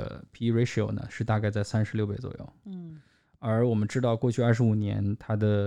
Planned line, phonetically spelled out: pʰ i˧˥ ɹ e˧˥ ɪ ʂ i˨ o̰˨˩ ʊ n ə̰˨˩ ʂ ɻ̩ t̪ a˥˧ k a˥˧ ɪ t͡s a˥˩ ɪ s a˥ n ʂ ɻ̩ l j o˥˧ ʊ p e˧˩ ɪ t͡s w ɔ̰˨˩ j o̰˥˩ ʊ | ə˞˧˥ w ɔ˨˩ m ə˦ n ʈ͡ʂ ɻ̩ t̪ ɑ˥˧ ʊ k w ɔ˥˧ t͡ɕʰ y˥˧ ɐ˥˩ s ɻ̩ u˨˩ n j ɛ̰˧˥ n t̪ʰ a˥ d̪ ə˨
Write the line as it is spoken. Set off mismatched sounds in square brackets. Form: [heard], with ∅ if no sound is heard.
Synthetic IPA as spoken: pʰ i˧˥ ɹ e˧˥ ɪ ʂ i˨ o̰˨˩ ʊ n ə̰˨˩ ʂ ɻ̩ t̪ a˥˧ k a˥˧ ɪ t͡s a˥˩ ɪ s a˥ n ʂ ɻ̩ l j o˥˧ ʊ p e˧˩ ɪ t͡s w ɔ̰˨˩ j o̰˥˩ ʊ | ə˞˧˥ w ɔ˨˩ m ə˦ n ʈ͡ʂ ɻ̩ t̪ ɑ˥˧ ʊ k w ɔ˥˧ t͡ɕʰ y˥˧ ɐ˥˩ [ʂ] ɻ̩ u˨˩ n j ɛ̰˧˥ n t̪ʰ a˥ d̪ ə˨